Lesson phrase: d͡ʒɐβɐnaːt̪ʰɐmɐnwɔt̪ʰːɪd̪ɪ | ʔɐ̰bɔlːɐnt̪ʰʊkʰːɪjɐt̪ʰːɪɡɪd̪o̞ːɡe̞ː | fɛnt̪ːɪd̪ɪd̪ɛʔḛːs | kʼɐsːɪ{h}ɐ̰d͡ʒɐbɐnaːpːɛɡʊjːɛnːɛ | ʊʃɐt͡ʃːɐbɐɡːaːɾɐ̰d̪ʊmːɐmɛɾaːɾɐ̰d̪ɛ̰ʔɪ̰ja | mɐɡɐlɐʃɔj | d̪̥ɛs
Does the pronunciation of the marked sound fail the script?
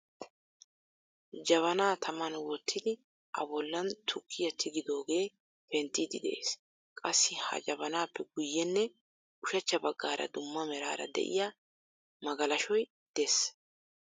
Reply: no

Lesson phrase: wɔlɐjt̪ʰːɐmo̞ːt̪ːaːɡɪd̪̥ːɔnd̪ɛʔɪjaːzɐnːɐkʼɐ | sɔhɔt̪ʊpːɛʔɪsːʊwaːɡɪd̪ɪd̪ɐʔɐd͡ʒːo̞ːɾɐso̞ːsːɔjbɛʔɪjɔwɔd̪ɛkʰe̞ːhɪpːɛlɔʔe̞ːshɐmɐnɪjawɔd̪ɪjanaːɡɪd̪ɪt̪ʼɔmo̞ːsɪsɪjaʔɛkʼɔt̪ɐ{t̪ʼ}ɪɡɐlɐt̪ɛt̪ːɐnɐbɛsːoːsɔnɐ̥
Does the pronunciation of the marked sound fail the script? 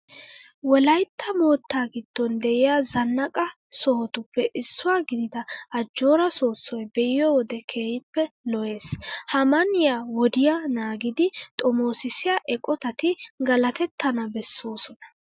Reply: yes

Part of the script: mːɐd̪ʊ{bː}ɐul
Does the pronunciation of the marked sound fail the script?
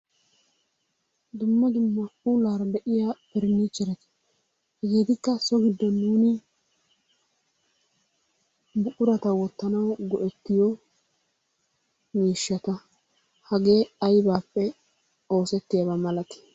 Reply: yes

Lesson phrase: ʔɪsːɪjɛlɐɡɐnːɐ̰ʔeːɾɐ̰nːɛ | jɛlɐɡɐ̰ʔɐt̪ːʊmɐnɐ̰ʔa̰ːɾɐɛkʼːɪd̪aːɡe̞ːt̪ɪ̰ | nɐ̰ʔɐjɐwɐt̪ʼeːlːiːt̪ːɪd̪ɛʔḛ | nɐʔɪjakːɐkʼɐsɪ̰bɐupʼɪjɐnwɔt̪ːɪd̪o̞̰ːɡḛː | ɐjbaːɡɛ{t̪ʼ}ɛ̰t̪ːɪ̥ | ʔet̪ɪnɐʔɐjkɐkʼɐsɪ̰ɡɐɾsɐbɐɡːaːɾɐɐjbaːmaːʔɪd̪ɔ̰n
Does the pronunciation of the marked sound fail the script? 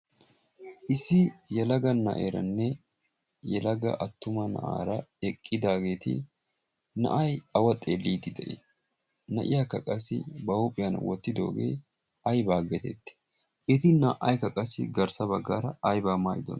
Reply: yes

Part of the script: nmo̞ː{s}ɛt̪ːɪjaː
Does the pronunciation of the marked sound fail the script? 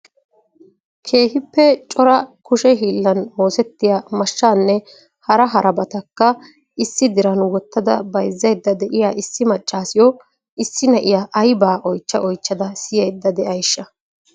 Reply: no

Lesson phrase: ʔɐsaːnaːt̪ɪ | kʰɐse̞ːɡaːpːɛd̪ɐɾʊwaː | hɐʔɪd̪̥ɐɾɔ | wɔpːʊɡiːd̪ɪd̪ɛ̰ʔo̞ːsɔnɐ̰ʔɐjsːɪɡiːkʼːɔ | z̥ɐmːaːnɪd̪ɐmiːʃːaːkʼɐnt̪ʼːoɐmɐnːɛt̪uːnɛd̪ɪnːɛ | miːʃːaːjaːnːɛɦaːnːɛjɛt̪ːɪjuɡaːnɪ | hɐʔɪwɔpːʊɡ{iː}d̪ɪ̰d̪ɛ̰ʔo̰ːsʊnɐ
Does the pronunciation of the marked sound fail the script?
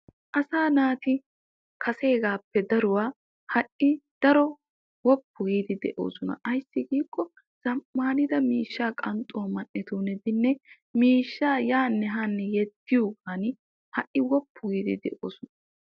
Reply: no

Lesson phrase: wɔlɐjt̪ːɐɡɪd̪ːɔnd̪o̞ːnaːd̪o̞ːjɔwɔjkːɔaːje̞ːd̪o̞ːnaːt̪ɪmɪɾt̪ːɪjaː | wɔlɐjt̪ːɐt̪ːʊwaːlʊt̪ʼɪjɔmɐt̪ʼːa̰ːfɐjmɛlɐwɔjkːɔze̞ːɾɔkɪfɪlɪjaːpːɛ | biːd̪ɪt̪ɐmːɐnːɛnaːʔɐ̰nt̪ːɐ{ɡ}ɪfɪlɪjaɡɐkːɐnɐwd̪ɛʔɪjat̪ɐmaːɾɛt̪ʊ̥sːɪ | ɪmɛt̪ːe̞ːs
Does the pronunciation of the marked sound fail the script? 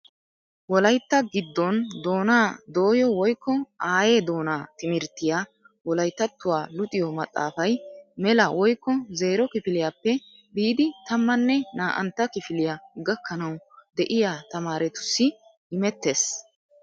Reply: yes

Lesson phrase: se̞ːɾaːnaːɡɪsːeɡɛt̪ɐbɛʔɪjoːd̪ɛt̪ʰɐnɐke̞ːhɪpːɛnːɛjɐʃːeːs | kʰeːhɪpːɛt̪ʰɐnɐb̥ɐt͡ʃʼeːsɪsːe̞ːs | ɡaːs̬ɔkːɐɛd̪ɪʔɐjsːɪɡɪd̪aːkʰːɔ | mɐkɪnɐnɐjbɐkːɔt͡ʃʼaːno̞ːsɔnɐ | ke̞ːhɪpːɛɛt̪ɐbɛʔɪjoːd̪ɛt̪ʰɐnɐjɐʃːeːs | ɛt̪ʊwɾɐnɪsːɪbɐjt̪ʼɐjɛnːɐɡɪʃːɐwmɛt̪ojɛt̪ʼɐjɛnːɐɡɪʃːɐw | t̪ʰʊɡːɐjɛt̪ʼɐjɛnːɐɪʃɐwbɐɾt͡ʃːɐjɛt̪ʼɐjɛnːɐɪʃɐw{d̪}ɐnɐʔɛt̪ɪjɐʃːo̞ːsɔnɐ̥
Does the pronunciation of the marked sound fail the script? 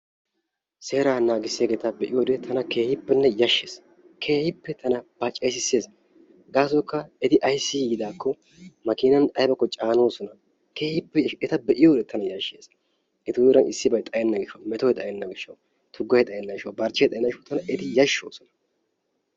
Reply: yes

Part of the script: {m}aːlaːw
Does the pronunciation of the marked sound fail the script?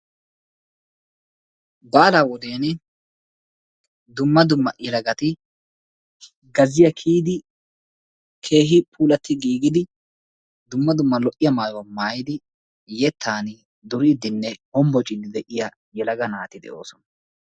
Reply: yes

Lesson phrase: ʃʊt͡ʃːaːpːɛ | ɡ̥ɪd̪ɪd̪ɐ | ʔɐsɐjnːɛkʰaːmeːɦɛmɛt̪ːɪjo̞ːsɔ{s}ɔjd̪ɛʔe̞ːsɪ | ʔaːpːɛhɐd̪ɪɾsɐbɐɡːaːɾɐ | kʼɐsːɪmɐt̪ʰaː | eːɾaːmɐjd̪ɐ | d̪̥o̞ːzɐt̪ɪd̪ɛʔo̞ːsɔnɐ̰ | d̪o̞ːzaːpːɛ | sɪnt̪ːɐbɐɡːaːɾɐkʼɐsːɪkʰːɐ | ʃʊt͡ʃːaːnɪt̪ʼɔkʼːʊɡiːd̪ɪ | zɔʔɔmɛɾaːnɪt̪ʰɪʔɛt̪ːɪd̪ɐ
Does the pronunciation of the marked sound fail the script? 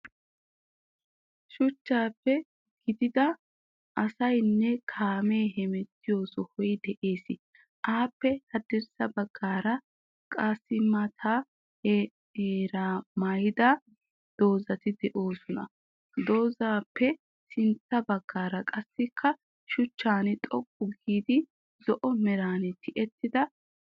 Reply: yes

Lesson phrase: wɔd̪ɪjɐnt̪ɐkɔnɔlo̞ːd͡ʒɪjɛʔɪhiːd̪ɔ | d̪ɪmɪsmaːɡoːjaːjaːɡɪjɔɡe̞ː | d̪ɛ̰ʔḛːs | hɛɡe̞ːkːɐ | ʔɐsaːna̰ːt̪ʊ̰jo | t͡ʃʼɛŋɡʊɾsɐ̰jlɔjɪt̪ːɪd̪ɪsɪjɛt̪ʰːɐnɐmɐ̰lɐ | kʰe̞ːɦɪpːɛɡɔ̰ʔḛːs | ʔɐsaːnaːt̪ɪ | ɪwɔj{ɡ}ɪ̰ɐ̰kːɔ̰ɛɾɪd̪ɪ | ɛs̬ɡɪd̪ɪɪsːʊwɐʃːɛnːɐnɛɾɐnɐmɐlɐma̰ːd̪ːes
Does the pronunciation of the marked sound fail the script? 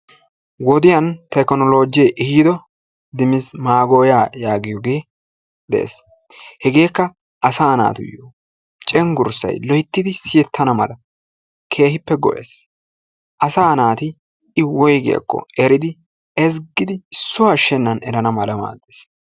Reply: no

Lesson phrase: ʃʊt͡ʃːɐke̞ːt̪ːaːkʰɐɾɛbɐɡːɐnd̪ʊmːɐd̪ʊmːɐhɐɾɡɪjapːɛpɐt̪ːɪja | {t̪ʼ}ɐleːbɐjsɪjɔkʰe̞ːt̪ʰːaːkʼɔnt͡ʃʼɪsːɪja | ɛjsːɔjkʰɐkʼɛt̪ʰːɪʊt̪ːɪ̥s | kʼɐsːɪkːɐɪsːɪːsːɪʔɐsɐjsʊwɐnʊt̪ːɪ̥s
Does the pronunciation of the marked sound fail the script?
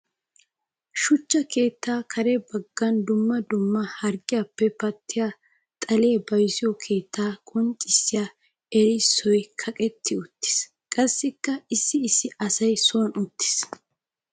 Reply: no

